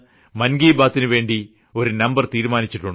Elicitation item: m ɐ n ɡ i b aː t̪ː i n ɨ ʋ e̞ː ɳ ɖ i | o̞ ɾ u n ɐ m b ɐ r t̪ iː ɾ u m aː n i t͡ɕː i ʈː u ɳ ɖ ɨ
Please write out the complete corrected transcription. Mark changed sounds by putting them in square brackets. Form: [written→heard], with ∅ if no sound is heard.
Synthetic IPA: m ɐ n ɡ [i→iː] b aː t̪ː i n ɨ ʋ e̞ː ɳ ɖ i | o̞ ɾ u n ɐ m b ɐ r t̪ iː ɾ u m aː n i t͡ɕː i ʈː u ɳ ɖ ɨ